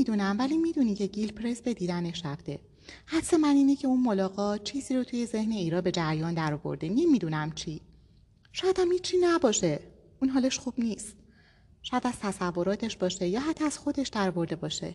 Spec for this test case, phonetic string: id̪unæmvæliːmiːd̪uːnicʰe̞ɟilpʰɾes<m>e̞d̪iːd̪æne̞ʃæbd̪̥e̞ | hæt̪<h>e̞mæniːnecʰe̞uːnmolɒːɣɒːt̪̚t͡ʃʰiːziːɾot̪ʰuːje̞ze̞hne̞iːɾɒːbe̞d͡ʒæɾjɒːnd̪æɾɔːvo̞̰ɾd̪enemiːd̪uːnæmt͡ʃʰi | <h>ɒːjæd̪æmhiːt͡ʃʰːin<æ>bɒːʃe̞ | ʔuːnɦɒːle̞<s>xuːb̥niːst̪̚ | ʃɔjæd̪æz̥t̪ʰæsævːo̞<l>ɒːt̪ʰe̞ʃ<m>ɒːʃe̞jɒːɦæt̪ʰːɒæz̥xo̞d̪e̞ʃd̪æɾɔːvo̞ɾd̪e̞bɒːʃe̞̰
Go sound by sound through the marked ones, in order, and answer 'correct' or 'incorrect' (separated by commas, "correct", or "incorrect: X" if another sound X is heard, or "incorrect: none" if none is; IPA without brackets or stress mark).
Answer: incorrect: b, incorrect: s, incorrect: ʃ, correct, incorrect: ʃ, incorrect: ɾ, incorrect: b